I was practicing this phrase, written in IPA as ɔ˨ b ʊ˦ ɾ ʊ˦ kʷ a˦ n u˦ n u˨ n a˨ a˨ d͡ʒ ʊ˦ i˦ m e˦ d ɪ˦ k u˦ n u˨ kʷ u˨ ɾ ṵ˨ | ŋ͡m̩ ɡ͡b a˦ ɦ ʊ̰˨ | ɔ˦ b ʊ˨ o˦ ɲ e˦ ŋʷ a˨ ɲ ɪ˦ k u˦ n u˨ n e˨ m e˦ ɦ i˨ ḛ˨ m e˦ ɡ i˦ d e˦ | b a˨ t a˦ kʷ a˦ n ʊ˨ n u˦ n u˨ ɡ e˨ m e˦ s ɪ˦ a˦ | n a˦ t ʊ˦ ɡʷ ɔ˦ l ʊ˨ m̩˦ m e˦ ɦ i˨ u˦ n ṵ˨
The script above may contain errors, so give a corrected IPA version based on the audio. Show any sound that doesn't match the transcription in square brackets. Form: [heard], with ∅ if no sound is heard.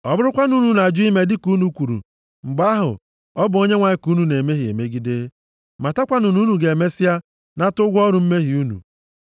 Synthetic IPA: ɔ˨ b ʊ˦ ɾ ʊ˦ kʷ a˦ n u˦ n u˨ n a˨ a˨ d͡ʒ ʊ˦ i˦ m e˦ d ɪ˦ k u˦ n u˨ kʷ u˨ ɾ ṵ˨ | ŋ͡m̩ ɡ͡b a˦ ɦ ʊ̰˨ | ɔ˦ b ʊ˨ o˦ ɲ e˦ ŋʷ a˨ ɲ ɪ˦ k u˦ n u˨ n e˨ m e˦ ɦ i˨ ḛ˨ m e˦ ɡ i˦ d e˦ | [m] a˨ t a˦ kʷ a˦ n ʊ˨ n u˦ n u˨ ɡ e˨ m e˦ s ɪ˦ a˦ | n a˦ t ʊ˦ ɡʷ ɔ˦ [ɾ] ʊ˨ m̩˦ m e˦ ɦ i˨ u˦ n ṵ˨